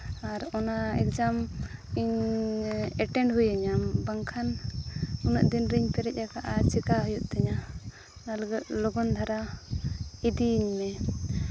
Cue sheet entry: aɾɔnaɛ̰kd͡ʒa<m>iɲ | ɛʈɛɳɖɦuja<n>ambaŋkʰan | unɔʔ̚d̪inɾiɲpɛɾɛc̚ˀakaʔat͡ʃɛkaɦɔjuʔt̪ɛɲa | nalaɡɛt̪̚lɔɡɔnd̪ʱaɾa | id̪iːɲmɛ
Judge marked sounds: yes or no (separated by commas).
yes, no